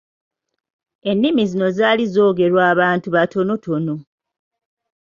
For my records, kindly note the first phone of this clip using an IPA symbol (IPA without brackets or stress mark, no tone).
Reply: e̞